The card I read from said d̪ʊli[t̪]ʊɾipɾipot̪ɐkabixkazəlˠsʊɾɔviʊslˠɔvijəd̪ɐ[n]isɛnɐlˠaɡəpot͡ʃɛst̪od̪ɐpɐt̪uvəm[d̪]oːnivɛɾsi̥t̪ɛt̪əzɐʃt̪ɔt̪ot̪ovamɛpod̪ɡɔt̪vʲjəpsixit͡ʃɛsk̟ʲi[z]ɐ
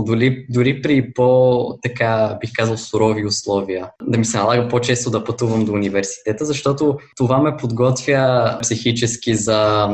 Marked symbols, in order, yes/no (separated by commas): no, no, yes, yes